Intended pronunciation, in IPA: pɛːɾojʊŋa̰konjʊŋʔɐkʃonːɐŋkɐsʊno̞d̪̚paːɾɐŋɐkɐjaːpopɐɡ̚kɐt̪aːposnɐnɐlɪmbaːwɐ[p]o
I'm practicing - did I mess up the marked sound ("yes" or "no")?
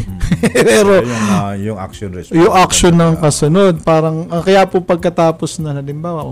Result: yes